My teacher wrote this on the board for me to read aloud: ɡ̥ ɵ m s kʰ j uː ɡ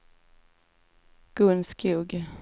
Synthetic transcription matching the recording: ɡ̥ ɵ n s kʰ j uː ɡ